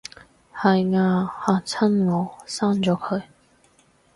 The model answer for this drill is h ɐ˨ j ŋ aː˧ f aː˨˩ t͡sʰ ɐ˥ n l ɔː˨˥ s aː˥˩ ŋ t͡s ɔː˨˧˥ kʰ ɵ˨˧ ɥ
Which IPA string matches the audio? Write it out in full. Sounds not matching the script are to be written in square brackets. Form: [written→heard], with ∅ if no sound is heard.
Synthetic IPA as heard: h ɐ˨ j ŋ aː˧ [f→h] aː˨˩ t͡sʰ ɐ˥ n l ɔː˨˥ s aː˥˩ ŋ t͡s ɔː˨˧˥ kʰ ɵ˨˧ ɥ